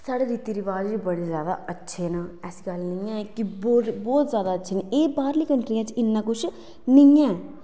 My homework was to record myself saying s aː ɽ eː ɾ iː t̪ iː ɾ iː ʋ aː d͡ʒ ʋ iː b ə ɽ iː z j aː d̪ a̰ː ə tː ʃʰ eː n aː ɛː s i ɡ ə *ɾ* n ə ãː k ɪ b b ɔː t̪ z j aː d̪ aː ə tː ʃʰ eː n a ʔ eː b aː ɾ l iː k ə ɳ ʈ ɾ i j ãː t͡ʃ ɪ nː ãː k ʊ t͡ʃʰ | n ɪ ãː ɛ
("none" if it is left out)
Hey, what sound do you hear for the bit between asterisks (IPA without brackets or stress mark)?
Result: l